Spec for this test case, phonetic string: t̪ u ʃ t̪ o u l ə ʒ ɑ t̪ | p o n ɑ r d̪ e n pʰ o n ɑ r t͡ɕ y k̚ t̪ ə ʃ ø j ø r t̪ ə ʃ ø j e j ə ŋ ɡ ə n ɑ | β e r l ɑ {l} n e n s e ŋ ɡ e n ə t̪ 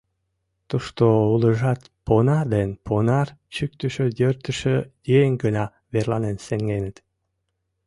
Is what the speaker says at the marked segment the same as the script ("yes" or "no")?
no